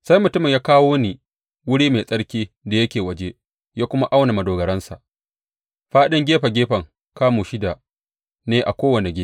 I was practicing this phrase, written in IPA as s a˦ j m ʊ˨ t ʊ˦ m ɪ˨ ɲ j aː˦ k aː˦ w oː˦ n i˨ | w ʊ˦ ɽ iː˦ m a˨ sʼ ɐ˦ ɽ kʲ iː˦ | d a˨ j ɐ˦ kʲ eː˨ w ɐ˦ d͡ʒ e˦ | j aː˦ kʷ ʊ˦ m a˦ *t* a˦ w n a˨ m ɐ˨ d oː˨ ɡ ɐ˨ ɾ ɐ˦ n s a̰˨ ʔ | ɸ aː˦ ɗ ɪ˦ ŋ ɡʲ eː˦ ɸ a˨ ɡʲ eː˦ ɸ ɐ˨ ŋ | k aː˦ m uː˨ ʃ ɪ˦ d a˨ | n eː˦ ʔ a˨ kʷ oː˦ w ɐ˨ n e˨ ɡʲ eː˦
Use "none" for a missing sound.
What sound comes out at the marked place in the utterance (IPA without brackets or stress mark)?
ʔ